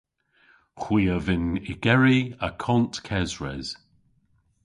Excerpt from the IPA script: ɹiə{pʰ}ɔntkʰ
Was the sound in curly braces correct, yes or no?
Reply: no